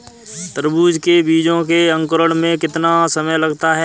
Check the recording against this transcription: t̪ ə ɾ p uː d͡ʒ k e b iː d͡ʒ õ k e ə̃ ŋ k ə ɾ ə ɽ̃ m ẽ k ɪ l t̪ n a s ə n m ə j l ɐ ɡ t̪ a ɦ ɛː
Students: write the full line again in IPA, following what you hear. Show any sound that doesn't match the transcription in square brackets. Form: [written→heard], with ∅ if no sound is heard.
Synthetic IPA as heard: t̪ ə ɾ [p→b] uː d͡ʒ k e b iː d͡ʒ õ k e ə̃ ŋ k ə ɾ ə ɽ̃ m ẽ k ɪ [l→∅] t̪ n a s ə [n→∅] m ə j l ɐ ɡ t̪ a ɦ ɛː